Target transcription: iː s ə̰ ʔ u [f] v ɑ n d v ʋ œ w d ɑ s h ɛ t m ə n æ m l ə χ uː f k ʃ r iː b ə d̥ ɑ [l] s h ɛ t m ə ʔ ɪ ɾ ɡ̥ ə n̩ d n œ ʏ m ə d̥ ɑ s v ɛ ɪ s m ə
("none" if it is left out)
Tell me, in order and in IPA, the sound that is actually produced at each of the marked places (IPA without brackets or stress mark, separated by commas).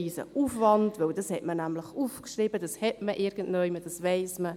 f, none